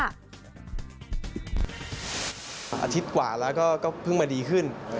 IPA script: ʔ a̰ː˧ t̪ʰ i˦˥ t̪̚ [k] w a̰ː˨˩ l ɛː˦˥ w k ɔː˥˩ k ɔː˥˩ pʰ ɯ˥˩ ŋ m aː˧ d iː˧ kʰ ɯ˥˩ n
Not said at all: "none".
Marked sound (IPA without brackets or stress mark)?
k